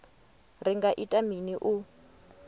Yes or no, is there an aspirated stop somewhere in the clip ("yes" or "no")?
no